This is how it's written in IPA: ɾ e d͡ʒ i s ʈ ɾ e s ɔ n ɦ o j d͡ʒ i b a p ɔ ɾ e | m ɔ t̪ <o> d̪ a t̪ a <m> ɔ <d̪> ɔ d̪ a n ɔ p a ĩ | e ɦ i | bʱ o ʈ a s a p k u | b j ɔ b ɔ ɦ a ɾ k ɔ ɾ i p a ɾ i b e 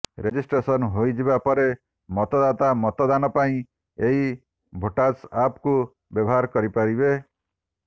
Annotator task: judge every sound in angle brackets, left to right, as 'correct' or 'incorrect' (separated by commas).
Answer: incorrect, correct, incorrect